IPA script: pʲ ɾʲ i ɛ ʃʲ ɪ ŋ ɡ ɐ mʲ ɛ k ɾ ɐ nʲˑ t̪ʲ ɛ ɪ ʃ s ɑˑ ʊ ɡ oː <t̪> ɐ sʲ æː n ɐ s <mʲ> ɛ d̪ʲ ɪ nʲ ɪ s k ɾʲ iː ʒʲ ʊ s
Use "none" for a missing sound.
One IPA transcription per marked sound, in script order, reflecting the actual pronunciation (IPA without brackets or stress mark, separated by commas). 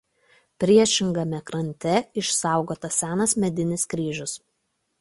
t̪, mʲ